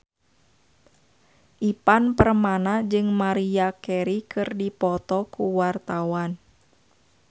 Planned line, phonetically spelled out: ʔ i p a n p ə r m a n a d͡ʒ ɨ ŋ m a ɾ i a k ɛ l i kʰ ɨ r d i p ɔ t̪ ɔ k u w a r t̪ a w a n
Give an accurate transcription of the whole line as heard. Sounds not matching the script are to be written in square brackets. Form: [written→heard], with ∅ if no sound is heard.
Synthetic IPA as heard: ʔ i p a n p ə r m a n a d͡ʒ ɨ ŋ m a ɾ i a k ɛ [l→ɾ] i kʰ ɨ r d i p ɔ t̪ ɔ k u w a r t̪ a w a n